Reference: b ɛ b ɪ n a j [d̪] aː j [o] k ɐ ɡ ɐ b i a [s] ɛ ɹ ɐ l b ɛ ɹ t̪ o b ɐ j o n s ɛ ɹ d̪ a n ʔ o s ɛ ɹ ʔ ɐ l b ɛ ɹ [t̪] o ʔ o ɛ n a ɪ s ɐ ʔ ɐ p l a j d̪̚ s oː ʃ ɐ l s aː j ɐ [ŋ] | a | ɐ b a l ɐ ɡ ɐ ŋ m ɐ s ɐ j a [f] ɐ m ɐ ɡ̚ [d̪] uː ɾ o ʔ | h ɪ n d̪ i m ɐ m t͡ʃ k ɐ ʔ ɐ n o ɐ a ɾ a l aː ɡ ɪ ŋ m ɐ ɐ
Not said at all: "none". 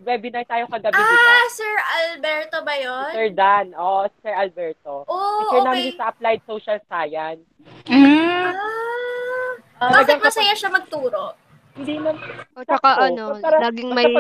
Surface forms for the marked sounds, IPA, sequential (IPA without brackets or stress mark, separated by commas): t̪, o, s, t̪, n, ʃ, t̪